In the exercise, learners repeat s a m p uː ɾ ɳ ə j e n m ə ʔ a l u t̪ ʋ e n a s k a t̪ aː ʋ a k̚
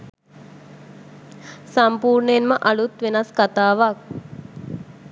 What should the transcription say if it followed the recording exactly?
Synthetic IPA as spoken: s a m p uː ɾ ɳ ə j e n m ə ʔ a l u t̪ ʋ e n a s k a t̪ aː ʋ a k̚